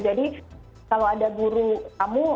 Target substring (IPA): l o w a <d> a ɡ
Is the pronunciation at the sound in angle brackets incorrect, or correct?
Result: correct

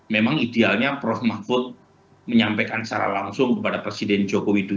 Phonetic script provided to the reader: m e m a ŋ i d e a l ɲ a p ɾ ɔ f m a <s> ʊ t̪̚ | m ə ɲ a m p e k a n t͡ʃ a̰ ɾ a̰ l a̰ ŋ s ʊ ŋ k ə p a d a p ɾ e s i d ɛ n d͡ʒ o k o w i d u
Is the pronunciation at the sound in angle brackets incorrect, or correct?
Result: incorrect: f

